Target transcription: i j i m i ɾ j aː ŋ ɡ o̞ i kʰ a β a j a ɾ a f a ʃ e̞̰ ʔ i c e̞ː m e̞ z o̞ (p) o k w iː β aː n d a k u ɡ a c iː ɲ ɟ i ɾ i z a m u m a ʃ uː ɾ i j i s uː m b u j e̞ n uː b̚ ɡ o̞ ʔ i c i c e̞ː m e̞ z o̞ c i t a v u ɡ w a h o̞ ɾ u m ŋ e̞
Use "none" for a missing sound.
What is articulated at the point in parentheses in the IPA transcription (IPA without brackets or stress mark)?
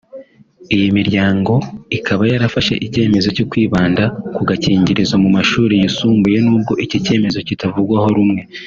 c